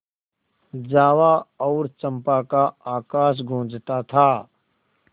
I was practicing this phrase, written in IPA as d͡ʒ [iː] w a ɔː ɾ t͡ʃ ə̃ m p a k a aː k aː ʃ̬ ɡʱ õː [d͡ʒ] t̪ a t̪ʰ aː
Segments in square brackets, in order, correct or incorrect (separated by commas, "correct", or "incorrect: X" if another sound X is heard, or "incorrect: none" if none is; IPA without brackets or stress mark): incorrect: aː, correct